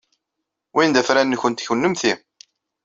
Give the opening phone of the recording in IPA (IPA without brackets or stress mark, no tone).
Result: w